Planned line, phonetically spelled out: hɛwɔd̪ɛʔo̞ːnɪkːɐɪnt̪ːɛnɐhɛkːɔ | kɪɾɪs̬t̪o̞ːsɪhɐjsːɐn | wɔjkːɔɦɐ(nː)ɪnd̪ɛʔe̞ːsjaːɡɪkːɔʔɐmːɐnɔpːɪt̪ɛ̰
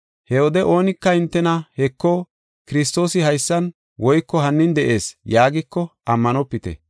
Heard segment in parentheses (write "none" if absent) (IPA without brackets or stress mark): nː